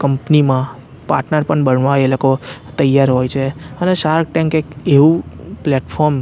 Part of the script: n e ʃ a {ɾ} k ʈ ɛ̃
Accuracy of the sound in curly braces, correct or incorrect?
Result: correct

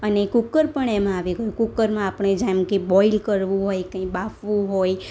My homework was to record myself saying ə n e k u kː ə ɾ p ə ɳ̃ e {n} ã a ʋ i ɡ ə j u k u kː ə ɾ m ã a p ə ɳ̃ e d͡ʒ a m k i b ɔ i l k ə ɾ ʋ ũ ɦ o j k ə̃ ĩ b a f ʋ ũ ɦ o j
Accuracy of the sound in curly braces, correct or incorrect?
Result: incorrect: m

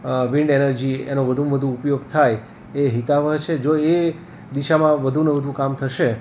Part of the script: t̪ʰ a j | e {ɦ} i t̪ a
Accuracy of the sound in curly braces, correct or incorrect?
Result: correct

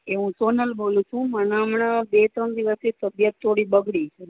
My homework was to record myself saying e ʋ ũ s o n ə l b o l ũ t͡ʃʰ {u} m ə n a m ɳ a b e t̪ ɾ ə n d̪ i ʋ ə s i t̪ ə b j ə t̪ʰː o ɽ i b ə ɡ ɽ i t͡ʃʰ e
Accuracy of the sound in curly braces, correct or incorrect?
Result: incorrect: ũ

